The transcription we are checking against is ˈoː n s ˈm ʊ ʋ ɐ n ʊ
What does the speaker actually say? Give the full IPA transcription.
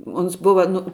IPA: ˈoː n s ˈb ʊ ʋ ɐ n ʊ